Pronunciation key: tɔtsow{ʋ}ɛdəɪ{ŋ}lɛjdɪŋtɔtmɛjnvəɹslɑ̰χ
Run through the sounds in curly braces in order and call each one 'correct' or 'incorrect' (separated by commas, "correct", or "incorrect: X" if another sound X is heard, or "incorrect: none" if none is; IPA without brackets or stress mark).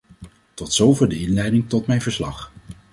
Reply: incorrect: v, incorrect: n